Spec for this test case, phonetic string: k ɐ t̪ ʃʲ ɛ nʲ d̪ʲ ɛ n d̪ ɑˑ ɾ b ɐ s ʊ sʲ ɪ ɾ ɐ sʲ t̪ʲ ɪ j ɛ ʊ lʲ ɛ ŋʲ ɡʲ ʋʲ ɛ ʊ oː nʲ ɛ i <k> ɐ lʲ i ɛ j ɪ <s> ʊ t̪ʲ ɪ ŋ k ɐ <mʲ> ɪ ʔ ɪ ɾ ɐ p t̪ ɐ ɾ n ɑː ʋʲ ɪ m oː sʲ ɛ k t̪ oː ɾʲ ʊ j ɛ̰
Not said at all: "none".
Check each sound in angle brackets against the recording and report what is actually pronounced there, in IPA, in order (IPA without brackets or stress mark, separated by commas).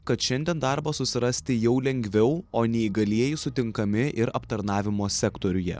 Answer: ɡ, s, mʲ